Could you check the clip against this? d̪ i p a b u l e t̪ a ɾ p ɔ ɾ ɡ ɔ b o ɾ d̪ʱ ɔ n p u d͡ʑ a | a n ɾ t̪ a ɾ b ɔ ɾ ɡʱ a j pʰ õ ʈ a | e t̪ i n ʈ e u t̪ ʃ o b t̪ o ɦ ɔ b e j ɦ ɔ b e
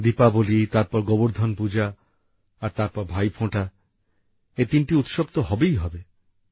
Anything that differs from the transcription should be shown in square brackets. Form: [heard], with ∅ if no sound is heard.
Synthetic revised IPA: d̪ i p a b [o] l [i] t̪ a ɾ p ɔ ɾ ɡ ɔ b o ɾ d̪ʱ ɔ n p u d͡ʑ a | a [∅] ɾ t̪ a ɾ [p] ɔ ɾ [bʱ] a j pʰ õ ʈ a | e t̪ i n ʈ [i] u t̪ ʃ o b t̪ o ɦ ɔ b e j ɦ ɔ b e